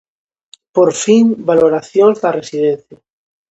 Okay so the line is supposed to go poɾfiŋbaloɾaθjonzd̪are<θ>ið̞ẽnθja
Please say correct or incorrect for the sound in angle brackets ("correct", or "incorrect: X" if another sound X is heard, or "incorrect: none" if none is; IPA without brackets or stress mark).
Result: incorrect: s